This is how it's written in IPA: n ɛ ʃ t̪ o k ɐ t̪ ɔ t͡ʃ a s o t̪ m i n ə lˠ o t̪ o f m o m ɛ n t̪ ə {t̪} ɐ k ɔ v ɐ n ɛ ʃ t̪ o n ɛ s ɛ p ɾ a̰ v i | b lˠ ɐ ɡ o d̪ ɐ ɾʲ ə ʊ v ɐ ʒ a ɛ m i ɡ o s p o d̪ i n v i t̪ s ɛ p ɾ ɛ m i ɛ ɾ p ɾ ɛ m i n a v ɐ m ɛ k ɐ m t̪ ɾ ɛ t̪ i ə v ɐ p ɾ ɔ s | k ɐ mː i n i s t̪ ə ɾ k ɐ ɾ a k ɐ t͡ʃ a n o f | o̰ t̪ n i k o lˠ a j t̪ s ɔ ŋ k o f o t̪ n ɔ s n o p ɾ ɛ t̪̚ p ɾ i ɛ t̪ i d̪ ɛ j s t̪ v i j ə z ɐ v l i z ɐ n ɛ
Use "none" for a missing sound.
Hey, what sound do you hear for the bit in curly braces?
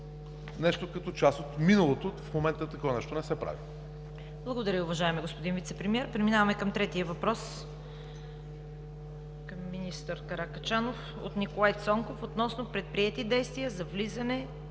t̪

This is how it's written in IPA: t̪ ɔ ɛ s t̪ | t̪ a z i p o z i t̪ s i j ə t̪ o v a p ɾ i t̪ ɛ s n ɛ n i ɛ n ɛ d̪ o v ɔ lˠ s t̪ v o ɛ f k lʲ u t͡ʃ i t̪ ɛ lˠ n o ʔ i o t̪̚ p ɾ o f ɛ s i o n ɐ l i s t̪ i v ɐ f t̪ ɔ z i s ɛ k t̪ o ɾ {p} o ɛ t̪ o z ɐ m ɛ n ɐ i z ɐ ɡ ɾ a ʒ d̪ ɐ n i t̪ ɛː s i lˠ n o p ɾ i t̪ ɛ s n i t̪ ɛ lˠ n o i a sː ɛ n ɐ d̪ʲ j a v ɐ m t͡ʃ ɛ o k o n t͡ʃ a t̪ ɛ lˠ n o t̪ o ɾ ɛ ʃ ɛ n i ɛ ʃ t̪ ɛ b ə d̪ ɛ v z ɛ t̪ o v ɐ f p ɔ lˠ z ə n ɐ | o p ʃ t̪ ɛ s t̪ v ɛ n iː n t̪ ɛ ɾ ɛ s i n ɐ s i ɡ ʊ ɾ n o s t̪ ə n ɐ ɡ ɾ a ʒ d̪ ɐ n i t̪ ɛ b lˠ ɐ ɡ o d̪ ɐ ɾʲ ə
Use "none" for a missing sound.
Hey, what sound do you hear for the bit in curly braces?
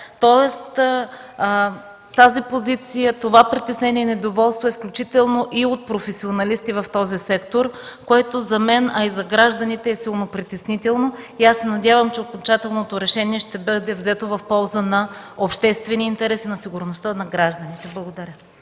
k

